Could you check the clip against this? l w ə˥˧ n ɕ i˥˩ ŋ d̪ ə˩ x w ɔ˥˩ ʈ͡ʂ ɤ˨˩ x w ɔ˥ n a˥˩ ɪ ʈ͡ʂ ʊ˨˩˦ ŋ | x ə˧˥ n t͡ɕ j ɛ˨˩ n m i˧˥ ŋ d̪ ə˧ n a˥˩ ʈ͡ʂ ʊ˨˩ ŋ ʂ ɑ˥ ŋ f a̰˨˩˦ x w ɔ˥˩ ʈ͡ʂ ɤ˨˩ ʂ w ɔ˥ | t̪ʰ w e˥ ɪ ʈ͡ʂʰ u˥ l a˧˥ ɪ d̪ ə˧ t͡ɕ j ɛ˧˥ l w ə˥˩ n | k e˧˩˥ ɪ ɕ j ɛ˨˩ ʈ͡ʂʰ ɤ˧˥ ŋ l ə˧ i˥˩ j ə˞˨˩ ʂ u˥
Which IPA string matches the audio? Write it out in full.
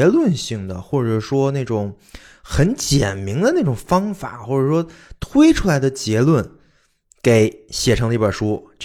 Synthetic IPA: l w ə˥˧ n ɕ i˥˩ ŋ d̪ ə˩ x w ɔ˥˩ ʈ͡ʂ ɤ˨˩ ʂ w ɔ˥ n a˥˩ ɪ ʈ͡ʂ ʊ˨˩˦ ŋ | x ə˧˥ n t͡ɕ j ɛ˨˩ n m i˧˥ ŋ d̪ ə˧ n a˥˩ ʈ͡ʂ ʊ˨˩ ŋ f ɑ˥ ŋ f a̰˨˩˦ x w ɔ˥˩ ʈ͡ʂ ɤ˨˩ ʂ w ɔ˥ | t̪ʰ w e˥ ɪ ʈ͡ʂʰ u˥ l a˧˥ ɪ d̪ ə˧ t͡ɕ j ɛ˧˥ l w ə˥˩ n | k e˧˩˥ ɪ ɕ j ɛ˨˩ ʈ͡ʂʰ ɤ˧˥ ŋ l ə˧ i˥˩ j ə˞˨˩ ʂ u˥